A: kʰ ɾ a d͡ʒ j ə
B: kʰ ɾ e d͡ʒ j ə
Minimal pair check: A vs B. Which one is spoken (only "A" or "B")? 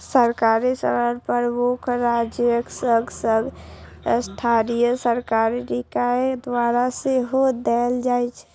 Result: A